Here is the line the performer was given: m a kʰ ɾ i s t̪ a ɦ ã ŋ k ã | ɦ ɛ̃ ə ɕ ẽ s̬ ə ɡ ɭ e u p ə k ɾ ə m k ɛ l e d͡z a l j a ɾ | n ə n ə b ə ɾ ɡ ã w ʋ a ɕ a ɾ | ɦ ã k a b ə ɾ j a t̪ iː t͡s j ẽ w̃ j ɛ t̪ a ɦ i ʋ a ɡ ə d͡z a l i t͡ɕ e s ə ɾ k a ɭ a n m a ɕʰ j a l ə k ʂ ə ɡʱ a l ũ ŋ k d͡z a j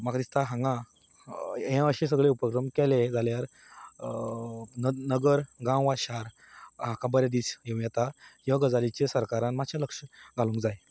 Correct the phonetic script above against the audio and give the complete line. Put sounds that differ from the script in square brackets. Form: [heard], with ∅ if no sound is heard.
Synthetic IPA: m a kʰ ɾ i s t̪ a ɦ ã ŋ [ɡ] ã | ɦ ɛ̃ ə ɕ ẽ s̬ ə ɡ ɭ e u p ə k ɾ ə m k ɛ l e d͡z a l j a ɾ | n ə n ə [ɡ] ə ɾ ɡ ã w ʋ a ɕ a ɾ | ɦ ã k a b ə ɾ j a [d̪] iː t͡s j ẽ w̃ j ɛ t̪ a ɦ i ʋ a ɡ ə d͡z a l i t͡ɕ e s ə ɾ k a [ɾ] a n m a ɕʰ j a l ə k ʂ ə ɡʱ a l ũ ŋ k d͡z a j

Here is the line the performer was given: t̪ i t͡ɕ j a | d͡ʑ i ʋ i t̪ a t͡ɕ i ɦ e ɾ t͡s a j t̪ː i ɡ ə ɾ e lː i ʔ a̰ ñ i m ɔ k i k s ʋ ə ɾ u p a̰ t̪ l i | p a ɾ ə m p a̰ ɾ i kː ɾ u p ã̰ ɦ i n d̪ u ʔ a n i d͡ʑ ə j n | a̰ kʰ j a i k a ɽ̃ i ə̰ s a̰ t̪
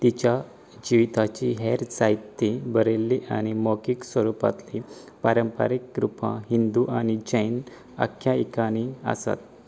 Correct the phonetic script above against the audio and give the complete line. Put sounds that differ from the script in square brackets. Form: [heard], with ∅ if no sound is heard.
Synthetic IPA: t̪ i t͡ɕ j a | d͡ʑ i ʋ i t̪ a t͡ɕ i ɦ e ɾ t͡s a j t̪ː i [b] ə ɾ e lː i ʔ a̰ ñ i m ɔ k i k s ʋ ə ɾ u p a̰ t̪ l i | p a ɾ ə m p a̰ ɾ i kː ɾ u p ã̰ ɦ i n d̪ u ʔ a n i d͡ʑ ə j n | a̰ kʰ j a i k a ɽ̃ i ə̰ s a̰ t̪

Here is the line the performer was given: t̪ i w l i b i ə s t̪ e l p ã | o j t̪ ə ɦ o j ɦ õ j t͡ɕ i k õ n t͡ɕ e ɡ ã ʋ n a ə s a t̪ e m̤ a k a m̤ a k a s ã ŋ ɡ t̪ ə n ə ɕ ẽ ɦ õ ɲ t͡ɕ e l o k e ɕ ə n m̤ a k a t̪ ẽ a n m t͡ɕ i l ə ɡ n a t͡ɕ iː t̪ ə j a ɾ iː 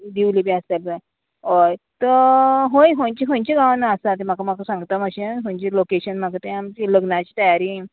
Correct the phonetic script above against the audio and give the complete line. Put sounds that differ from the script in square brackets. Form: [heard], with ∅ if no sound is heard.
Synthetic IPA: [d̪] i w l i b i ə s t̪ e l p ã | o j t̪ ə ɦ o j ɦ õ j t͡ɕ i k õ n t͡ɕ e ɡ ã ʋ n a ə s a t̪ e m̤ a k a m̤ a k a s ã ŋ ɡ t̪ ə [m] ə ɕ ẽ ɦ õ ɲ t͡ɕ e l o k e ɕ ə n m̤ a k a t̪ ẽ a [∅] m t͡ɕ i l ə ɡ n a t͡ɕ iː t̪ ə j a ɾ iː

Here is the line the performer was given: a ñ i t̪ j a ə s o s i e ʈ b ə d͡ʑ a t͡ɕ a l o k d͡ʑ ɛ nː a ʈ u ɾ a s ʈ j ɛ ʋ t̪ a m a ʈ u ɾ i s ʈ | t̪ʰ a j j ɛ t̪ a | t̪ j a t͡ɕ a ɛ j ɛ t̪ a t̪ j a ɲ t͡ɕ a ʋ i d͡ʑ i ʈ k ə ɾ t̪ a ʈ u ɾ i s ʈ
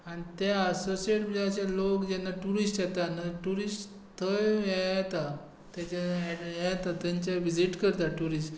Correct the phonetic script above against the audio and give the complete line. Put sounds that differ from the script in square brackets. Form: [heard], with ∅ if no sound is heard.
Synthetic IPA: a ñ i t̪ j a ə s o s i e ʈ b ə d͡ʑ a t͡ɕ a l o k d͡ʑ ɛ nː a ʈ u ɾ [i] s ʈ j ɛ [∅] t̪ a [n] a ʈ u ɾ i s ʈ | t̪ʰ [ə] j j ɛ t̪ a | t̪ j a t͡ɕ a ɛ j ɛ t̪ a t̪ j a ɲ t͡ɕ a ʋ i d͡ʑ i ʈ k ə ɾ t̪ a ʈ u ɾ i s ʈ

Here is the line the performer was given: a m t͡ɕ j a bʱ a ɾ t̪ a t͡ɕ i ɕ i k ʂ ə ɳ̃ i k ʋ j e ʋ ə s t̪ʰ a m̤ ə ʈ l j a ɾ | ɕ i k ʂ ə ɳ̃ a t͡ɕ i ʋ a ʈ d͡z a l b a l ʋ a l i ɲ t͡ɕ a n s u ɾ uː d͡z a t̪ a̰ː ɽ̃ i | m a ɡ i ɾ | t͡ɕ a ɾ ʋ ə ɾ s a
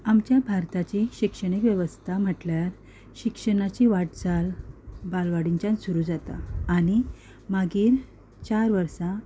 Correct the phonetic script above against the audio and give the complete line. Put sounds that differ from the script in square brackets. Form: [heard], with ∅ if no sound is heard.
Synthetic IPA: a m t͡ɕ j a bʱ a ɾ t̪ a t͡ɕ i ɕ i k ʂ ə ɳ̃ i k ʋ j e ʋ ə s t̪ʰ a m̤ ə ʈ l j a ɾ | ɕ i k ʂ ə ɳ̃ a t͡ɕ i ʋ a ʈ d͡z a l b a l ʋ a [ɽ] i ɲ t͡ɕ a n s u ɾ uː d͡z a t̪ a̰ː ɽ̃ i | m a ɡ [iː] ɾ | t͡ɕ a ɾ ʋ ə ɾ s a

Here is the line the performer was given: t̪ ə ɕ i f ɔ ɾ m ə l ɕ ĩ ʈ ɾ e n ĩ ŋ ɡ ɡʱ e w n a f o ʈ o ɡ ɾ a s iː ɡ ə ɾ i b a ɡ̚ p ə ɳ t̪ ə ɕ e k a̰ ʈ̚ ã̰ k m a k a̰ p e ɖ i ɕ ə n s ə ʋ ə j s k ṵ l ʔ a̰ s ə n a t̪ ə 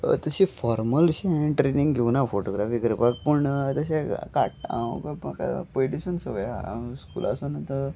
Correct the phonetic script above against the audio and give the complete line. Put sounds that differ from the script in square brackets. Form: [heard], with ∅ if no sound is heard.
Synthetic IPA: t̪ ə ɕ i f ɔ ɾ m ə l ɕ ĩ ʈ ɾ e n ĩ ŋ ɡ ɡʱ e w n a f o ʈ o ɡ ɾ a [f] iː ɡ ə ɾ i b a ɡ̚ p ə ɳ t̪ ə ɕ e k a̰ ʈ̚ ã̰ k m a k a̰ p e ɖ i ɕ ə n s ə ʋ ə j s k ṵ l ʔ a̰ s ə n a t̪ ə

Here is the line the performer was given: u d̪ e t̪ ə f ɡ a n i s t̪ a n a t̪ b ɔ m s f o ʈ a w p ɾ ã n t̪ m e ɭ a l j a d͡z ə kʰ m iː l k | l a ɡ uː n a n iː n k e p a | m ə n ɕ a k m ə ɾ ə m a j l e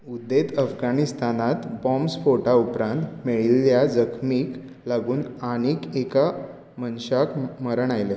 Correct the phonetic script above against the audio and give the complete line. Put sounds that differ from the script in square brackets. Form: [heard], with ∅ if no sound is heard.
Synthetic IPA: u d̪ e t̪ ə f ɡ a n i s t̪ a n a t̪ b ɔ m s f o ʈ a [u] p ɾ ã n t̪ m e ɭ [i] l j a d͡z ə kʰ m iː [∅] k | l a ɡ uː n a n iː [∅] k e [k] a | m ə n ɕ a k m ə ɾ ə [ɳ] a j l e

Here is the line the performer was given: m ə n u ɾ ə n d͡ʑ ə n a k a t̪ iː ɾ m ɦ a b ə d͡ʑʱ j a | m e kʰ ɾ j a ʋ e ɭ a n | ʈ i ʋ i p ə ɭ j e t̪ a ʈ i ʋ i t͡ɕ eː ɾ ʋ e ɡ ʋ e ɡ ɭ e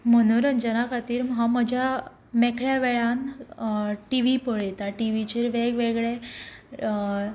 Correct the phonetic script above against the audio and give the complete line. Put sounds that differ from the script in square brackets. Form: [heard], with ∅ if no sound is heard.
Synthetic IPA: m ə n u ɾ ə n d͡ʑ ə n a k a t̪ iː ɾ m ɦ a [m] ə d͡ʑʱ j a | m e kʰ [ɭ] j a ʋ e ɭ a n | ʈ i ʋ i p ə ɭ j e t̪ a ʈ i ʋ i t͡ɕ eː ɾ ʋ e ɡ ʋ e ɡ ɭ e

